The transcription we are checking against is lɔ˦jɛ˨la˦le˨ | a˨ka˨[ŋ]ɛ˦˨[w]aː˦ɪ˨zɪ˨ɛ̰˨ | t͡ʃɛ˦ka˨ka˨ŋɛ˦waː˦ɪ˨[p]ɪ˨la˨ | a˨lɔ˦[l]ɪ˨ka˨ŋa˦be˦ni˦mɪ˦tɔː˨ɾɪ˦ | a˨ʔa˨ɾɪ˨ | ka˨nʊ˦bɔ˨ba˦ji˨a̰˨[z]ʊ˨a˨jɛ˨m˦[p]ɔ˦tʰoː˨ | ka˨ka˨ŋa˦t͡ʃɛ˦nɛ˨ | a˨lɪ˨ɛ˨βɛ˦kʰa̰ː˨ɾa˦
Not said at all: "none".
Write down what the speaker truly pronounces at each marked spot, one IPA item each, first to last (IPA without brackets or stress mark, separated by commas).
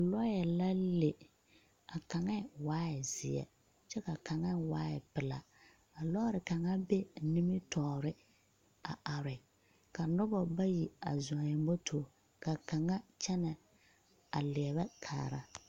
ŋ, w, p, ɾ, z, b